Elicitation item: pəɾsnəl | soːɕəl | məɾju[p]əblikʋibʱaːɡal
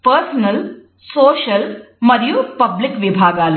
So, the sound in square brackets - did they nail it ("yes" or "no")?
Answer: yes